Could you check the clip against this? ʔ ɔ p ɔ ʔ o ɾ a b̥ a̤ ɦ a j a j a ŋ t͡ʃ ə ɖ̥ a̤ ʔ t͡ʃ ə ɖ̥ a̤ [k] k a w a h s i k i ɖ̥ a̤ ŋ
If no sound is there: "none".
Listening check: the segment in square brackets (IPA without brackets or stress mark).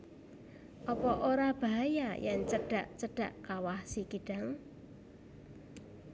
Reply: ʔ